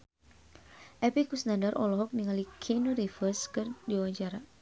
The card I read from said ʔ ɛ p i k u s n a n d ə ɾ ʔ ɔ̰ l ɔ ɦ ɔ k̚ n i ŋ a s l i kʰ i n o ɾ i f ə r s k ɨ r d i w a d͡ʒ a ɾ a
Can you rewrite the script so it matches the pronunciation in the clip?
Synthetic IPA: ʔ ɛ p i k u s n a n d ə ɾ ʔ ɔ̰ l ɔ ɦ ɔ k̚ n i ŋ a l i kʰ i n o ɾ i f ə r s k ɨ r d i w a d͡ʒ a ɾ a